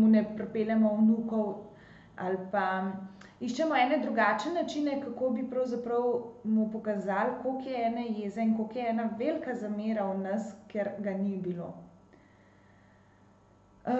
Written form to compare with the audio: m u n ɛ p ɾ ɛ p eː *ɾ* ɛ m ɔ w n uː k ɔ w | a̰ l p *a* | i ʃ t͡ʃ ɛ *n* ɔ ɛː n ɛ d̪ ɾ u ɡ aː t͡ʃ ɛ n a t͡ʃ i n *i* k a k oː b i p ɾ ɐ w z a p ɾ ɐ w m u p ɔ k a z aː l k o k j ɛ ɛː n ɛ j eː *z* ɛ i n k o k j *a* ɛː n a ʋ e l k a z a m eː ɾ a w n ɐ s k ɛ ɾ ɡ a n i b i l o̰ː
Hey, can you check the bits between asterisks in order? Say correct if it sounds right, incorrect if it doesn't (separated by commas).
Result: incorrect, correct, incorrect, incorrect, correct, incorrect